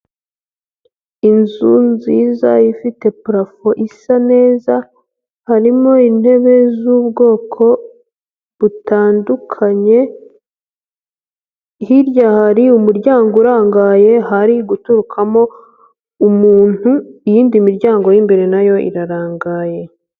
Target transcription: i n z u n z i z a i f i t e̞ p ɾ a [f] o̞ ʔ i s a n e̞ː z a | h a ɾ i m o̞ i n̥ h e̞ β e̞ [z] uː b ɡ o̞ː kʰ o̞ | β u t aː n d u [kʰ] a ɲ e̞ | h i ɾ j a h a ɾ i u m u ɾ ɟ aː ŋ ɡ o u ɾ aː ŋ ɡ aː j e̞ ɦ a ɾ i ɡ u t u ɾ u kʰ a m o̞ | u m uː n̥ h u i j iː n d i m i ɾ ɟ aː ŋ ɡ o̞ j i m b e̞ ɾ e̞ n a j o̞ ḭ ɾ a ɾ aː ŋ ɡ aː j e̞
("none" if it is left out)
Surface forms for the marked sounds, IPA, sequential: f, z, kʰ

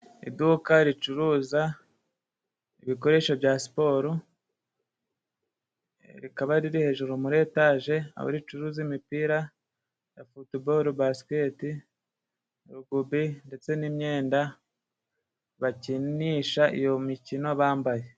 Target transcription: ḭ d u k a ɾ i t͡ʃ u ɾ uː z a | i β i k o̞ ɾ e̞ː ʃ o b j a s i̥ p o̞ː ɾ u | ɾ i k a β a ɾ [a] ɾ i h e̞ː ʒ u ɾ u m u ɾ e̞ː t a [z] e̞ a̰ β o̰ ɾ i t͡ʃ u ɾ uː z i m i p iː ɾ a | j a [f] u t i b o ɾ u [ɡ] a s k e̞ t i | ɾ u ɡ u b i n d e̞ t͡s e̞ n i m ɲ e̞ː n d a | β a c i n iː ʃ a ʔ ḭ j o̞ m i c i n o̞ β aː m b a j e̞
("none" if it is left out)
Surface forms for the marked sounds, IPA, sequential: i, ʒ, f, b

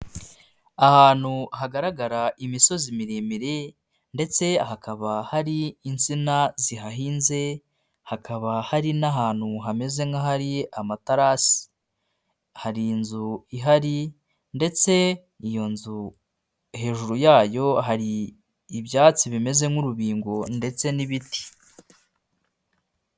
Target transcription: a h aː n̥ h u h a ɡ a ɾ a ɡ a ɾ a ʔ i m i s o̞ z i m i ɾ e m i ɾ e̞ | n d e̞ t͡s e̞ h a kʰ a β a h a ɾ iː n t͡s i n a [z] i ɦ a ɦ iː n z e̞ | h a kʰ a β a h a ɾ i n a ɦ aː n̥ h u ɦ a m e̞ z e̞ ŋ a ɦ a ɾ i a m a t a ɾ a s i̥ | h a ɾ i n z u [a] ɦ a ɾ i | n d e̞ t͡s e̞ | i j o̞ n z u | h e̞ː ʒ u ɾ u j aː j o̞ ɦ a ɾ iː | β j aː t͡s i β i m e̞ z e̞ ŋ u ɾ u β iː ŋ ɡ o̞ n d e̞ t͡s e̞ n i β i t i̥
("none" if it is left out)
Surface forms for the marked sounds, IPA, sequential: z, i

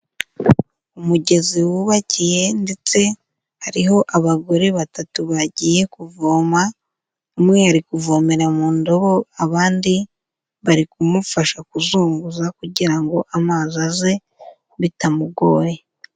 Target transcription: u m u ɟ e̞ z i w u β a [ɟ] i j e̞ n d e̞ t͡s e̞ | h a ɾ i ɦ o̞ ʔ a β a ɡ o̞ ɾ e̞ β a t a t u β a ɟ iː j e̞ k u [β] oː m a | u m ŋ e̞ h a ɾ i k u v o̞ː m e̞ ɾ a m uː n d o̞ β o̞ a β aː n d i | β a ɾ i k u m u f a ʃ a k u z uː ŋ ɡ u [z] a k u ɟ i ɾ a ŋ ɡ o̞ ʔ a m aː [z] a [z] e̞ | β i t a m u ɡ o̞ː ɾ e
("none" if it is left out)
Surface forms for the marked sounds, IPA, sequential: c, v, z, z, z

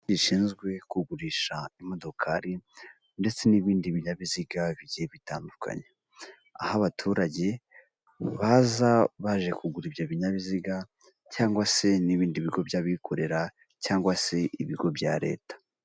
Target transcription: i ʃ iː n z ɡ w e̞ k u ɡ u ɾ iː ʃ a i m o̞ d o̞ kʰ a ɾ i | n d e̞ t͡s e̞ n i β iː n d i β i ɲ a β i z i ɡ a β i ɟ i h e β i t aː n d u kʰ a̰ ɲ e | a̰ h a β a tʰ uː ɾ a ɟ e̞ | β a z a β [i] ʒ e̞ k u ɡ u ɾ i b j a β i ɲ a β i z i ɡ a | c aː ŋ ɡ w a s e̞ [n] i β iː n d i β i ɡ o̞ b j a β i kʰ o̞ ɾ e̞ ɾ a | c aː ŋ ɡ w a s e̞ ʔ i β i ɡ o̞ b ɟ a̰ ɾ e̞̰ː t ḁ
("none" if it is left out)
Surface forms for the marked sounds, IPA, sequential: a, n

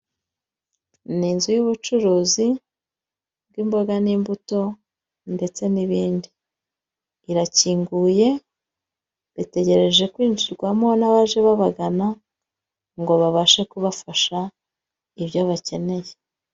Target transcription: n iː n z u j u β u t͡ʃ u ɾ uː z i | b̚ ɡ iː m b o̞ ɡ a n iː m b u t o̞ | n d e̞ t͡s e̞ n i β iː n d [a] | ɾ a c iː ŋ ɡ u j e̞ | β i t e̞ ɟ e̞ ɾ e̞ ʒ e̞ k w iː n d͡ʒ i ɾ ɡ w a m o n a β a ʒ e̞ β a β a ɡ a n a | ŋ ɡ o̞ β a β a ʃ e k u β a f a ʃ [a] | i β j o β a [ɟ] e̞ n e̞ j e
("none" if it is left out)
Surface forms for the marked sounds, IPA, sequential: i, a, c

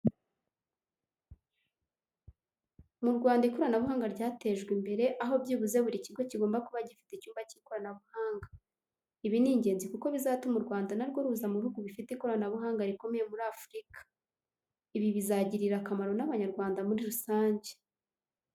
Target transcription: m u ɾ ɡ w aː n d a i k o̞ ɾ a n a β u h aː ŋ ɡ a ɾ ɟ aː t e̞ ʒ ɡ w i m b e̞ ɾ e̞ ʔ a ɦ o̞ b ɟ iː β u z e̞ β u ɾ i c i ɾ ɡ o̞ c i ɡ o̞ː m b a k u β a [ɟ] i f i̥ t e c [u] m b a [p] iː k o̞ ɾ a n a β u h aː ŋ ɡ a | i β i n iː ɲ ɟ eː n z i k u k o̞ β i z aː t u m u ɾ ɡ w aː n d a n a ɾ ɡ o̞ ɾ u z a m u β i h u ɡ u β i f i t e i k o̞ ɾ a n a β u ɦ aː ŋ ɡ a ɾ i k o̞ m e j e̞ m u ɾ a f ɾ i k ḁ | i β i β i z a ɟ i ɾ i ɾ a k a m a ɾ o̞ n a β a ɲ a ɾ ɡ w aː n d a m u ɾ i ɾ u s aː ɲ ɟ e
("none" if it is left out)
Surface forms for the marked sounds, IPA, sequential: ɟ, uː, c

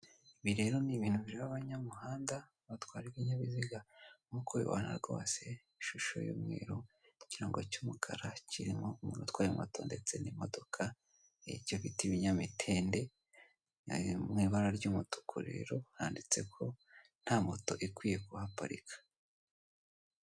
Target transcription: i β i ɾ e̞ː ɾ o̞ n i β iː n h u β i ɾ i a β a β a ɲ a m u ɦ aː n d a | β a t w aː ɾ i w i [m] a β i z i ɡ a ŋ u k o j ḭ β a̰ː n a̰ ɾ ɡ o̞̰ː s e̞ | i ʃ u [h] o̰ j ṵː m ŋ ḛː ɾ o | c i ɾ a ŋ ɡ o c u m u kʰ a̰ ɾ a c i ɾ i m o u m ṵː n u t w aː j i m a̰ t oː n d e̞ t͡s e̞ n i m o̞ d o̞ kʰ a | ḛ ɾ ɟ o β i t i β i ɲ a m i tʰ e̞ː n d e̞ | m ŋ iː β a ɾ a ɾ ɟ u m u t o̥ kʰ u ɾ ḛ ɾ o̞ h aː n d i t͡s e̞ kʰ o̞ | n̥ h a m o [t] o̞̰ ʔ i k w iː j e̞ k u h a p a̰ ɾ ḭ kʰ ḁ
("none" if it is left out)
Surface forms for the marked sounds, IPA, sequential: ɲ, ʃ, t

